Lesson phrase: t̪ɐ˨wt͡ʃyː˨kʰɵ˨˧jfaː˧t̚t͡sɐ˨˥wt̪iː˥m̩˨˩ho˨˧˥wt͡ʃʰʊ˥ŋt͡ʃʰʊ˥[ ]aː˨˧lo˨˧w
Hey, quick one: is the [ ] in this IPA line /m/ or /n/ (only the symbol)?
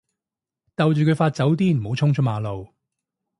m